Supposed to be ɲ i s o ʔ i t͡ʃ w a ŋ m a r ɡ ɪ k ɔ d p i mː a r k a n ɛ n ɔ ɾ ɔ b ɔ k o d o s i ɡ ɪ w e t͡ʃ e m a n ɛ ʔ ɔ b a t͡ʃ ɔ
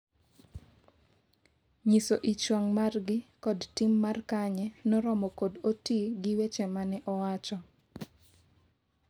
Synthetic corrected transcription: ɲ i s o ʔ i t͡ʃ w a ŋ m a r ɡ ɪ k ɔ d t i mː a r k a ɲ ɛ n ɔ ɾ ɔ m ɔ k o d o t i ɡ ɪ w e t͡ʃ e m a n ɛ ʔ ɔ w a t͡ʃ ɔ

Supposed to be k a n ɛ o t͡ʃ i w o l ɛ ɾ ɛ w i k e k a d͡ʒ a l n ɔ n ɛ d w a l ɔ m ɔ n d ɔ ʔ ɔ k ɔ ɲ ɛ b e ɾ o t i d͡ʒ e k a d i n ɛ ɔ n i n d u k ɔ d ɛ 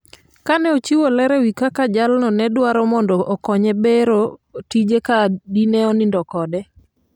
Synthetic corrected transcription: k a n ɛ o t͡ʃ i w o l ɛ ɾ ɛ w i k a k a d͡ʒ a l n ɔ n ɛ d w a ɾ ɔ m ɔ n d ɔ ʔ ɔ k ɔ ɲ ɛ b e ɾ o t i d͡ʒ e k a d i n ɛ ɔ n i n d ɔ k ɔ d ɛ

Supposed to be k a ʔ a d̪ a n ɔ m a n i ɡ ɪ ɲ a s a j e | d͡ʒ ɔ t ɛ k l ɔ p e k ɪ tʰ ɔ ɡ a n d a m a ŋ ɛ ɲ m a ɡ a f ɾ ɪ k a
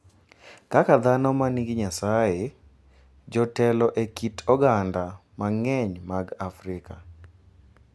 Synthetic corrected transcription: k a k a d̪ a n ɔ m a n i ɡ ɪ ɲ a s a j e | d͡ʒ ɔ t ɛ l ɔ ʔ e k i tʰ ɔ ɡ a n d a m a ŋ ɛ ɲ m a ɡ a f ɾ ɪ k a

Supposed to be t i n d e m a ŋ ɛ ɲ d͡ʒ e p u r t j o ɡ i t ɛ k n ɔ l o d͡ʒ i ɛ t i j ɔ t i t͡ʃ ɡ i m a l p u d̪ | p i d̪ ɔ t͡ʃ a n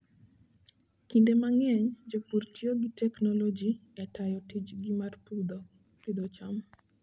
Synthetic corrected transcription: k i n d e m a ŋ ɛ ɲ d͡ʒ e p u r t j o ɡ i t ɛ k n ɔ l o d͡ʒ i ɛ t a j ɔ t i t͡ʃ ɡ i m a r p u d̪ | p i d̪ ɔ t͡ʃ a m

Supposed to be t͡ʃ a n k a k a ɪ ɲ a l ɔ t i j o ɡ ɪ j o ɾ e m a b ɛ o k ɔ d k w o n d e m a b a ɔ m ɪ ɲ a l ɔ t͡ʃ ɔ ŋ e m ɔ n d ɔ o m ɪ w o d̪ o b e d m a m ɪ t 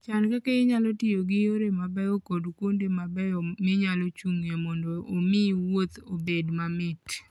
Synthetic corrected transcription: t͡ʃ a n k a k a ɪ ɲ a l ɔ t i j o ɡ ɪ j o ɾ e m a b ɛ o k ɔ d k w o n d e m a b ɛ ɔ m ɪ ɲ a l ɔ t͡ʃ u ŋ e m ɔ n d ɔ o m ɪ w o t̪ o b e d m a m ɪ t

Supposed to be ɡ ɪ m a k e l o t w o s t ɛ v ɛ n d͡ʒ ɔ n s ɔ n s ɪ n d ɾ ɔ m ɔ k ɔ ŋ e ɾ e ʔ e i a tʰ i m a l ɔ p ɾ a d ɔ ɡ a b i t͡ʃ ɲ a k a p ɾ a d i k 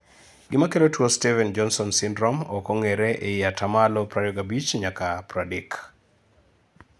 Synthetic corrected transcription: ɡ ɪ m a k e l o t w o s t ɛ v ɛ n d͡ʒ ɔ n s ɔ n s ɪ n d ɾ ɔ m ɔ k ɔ ŋ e ɾ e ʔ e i a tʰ a m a l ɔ p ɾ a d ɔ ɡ a b i t͡ʃ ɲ a k a p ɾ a d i k

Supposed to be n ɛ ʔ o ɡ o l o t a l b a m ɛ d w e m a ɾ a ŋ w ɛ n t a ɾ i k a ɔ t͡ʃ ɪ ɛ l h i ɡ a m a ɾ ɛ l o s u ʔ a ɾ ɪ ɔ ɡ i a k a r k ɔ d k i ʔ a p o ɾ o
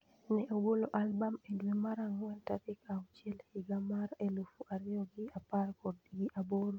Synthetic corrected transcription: n ɛ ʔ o ɡ o l o ʔ a l b a m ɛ d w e m a ɾ a ŋ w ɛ n t a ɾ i k a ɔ t͡ʃ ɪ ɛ l h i ɡ a m a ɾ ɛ l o f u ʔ a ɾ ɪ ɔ ɡ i a p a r k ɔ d ɡ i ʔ a b o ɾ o

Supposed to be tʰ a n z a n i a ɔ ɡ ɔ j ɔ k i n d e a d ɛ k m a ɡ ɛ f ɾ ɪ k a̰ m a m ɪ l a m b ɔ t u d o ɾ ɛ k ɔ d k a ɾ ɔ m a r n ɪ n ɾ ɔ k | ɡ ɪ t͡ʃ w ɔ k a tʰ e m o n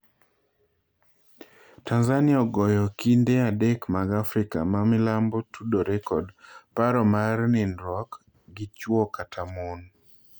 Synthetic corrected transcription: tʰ a n z a n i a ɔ ɡ ɔ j ɔ k i n d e a d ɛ k m a ɡ a f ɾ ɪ k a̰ m a m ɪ l a m b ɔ t u d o ɾ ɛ k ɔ d p a ɾ ɔ m a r n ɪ n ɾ ɔ k | ɡ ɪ t͡ʃ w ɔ k a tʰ a m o n

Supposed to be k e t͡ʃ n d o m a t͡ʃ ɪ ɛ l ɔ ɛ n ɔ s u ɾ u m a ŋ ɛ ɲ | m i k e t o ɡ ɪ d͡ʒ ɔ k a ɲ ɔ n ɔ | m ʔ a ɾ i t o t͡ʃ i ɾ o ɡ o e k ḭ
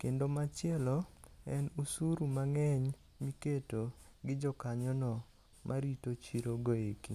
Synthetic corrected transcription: k e n d o m a t͡ʃ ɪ ɛ l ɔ ɛ n u s u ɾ u m a ŋ ɛ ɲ | m i k e t o ɡ ɪ d͡ʒ ɔ k a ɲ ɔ n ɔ | m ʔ a ɾ i t o t͡ʃ i ɾ o ɡ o e k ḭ

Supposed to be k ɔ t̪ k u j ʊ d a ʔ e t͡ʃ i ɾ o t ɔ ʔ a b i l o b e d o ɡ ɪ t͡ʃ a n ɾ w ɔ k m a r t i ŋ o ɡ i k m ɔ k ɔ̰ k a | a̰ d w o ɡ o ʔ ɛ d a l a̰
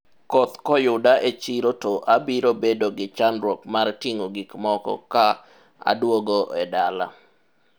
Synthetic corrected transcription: k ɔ t̪ k ɔ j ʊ d a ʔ e t͡ʃ i ɾ o t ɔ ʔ a b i ɾ o b e d o ɡ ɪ t͡ʃ a n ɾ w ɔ k m a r t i ŋ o ɡ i k m ɔ k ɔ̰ k a | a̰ d w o ɡ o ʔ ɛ d a l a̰

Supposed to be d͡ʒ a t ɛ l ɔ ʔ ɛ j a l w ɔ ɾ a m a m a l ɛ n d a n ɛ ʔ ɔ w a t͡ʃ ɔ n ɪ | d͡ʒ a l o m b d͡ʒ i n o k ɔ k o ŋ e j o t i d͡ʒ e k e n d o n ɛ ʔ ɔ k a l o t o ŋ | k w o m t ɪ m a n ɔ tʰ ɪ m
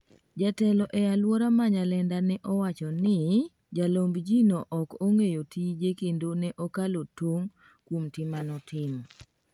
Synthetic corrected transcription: d͡ʒ a t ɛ l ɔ ʔ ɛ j a l w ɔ ɾ a m a ɲ a l ɛ n d a n ɛ ʔ ɔ w a t͡ʃ ɔ n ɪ | d͡ʒ a l o m b d͡ʒ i n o ʔ ɔ k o ŋ e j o t i d͡ʒ e k e n d o n ɛ ʔ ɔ k a l o t o ŋ | k w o m t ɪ m a n ɔ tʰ ɪ m

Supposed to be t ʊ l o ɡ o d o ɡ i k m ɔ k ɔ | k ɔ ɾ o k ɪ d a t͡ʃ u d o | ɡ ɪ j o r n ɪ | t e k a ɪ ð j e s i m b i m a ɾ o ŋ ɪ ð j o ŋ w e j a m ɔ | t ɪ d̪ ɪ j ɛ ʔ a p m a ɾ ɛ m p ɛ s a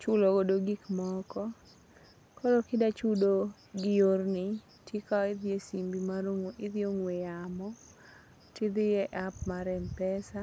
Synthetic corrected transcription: t͡ʃ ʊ l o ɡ o d o ɡ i k m ɔ k ɔ | k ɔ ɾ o k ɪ d a t͡ʃ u d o | ɡ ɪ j o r n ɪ | t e k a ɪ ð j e s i m b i m a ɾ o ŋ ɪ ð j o ŋ w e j a m ɔ | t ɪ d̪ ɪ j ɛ ʔ a p m a ɾ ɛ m p ɛ s a

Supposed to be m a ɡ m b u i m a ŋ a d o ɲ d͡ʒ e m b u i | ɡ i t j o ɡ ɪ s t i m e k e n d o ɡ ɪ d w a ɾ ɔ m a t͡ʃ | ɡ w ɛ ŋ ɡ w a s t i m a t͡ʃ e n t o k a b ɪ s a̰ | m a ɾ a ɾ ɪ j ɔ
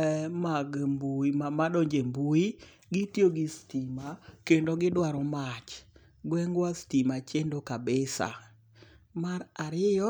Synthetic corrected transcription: m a ɡ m b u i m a m a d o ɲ d͡ʒ e m b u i | ɡ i t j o ɡ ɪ s t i m a k e n d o ɡ ɪ d w a ɾ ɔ m a t͡ʃ | ɡ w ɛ ŋ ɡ w a s t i m a t͡ʃ e n d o k a b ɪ s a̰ | m a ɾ a ɾ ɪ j ɔ

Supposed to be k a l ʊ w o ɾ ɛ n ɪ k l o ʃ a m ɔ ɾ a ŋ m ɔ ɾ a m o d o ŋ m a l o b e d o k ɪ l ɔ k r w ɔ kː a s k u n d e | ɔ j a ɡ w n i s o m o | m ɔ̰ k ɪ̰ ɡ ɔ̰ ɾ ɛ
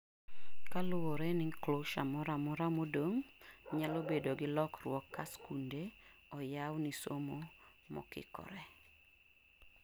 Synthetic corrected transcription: k a l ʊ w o ɾ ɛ n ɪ k l o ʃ a m ɔ ɾ a m ɔ ɾ a m o d o ŋ ɲ a l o b e d o ɡ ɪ l ɔ k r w ɔ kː a s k u n d e | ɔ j a w n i s o m o | m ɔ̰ k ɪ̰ k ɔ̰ ɾ ɛ

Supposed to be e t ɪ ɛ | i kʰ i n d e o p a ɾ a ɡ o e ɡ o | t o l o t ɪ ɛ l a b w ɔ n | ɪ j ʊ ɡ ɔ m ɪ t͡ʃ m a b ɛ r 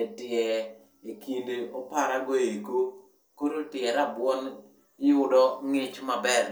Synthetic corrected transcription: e t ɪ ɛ | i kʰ i n d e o p a ɾ a ɡ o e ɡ o | k o ɾ o t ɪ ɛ ɾ a b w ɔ n | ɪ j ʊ d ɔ ŋ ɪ t͡ʃ m a b ɛ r

